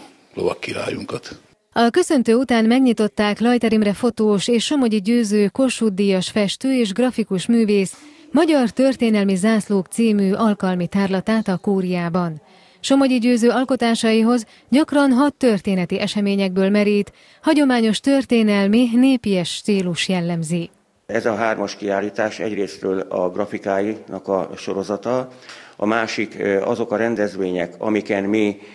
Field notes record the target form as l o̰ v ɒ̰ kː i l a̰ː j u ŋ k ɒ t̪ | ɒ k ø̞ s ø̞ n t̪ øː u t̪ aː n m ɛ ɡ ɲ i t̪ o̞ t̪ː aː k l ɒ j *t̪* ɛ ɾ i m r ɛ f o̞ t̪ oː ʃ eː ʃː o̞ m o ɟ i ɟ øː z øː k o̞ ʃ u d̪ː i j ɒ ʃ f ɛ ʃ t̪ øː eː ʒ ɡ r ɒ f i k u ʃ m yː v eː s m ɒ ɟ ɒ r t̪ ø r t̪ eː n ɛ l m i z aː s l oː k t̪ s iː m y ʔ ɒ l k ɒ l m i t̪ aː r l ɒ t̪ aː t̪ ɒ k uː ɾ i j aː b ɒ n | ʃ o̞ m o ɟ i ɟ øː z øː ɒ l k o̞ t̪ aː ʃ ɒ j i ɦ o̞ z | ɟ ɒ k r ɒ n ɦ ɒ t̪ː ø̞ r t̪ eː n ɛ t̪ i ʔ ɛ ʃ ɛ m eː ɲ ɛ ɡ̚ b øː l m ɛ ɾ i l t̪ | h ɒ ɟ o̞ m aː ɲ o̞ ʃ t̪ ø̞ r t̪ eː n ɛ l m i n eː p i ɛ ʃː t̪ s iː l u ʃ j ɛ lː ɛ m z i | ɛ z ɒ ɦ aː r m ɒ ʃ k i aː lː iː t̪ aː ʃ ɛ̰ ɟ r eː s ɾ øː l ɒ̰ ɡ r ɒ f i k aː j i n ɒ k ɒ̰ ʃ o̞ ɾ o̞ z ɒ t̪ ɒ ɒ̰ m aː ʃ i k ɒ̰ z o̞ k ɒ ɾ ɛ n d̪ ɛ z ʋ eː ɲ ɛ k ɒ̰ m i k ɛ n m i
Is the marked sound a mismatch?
no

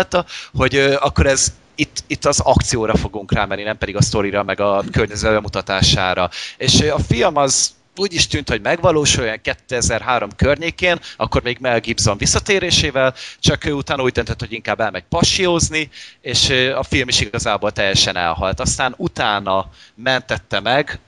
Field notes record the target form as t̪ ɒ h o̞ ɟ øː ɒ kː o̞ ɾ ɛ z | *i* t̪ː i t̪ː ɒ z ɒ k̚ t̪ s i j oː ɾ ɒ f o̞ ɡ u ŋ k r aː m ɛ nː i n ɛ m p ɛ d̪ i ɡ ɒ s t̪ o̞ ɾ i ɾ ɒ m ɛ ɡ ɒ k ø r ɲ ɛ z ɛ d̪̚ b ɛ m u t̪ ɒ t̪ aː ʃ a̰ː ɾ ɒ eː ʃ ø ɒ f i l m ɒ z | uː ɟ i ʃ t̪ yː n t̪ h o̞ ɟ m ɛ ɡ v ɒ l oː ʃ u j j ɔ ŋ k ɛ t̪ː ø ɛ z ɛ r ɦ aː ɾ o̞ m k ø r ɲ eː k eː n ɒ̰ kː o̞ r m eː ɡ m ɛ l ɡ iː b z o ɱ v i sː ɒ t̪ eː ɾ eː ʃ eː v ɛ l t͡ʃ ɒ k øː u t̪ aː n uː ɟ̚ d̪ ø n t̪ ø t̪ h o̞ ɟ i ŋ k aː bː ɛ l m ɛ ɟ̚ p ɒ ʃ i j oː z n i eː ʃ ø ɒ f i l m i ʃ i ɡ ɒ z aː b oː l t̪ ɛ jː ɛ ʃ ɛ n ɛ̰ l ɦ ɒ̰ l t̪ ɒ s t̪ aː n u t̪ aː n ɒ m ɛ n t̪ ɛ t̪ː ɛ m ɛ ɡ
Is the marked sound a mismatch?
no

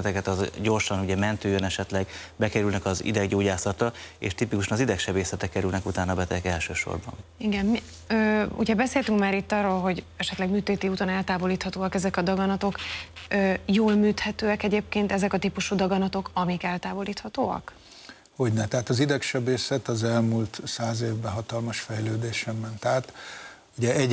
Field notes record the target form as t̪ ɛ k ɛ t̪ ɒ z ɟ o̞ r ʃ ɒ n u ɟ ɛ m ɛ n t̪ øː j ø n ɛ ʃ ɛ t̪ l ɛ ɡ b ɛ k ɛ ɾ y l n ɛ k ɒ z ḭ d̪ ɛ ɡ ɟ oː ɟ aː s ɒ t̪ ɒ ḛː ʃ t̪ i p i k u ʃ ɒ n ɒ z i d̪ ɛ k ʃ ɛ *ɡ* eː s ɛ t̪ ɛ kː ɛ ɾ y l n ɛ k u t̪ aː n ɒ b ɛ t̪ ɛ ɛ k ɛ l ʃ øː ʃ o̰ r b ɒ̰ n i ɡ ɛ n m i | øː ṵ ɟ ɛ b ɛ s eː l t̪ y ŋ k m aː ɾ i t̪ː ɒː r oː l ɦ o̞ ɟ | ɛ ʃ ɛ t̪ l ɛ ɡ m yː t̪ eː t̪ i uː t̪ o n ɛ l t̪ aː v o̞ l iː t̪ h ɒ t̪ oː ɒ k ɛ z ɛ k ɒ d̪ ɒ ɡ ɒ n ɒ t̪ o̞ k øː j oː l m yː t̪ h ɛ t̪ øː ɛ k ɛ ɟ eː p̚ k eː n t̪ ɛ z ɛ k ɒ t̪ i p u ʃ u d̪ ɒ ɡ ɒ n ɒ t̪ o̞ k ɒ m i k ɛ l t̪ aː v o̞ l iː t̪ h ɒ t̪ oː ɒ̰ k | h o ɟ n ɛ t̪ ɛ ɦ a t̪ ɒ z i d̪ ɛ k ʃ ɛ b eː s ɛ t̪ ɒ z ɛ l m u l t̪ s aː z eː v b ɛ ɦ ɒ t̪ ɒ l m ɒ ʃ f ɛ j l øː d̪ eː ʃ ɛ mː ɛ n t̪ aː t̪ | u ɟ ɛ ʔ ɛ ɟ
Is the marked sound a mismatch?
yes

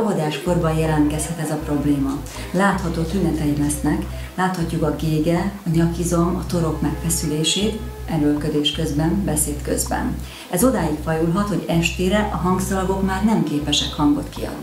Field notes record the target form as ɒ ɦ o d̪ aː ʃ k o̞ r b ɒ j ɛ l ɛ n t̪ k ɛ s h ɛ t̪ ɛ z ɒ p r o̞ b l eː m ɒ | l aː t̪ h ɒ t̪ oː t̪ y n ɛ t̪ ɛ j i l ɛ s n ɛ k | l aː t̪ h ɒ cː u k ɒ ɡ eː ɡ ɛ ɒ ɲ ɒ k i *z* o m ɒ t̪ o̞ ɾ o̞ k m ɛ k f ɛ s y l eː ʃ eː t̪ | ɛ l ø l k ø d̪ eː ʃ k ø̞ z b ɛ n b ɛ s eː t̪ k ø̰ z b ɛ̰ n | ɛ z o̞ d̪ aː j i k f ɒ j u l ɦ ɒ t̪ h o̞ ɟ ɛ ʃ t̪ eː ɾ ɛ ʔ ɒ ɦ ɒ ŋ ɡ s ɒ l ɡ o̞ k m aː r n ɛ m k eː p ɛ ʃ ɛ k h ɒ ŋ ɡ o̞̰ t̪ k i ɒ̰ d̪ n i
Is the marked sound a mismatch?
no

